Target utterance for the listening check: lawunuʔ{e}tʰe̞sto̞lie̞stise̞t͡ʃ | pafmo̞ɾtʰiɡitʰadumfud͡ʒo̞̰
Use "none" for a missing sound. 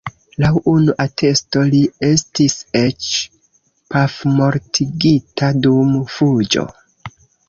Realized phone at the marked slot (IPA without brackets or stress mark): a